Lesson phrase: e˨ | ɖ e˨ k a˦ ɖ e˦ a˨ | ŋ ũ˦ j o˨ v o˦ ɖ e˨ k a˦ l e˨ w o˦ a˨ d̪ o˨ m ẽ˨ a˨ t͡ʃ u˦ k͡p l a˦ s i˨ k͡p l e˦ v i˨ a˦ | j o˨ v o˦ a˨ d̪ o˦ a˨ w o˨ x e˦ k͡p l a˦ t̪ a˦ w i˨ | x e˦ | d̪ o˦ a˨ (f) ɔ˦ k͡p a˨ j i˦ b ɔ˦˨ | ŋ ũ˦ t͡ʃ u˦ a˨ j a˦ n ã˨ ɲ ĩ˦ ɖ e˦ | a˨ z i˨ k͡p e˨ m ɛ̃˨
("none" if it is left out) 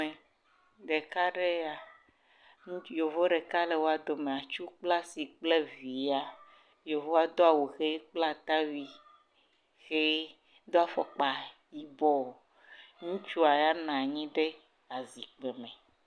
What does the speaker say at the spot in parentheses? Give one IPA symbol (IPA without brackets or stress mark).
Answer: f